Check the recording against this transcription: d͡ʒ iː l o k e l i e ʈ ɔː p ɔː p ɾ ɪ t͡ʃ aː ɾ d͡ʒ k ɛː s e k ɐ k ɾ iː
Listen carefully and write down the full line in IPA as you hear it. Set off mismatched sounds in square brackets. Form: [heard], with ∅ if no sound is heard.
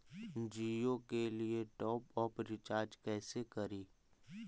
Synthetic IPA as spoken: d͡ʒ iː [∅] o k e l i e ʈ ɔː p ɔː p ɾ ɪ t͡ʃ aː ɾ d͡ʒ k ɛː s e k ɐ [∅] ɾ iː